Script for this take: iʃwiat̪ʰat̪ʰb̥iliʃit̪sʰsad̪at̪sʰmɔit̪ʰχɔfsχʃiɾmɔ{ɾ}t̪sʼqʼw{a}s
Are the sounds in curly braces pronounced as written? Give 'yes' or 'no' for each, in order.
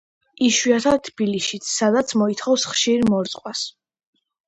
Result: yes, yes

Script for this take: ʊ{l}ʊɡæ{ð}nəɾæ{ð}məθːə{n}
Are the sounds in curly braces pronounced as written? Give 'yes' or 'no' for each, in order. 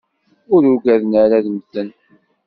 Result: no, yes, yes, yes

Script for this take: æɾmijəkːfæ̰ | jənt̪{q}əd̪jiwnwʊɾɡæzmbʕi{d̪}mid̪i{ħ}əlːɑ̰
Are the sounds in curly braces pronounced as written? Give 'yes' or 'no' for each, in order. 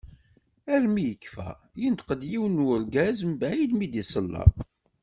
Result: yes, yes, no

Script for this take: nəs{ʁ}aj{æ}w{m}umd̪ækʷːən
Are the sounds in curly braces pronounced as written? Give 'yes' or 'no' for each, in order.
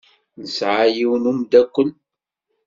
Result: no, no, no

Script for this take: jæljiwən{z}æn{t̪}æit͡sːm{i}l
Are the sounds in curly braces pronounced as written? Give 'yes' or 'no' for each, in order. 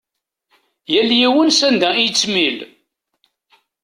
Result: no, no, yes

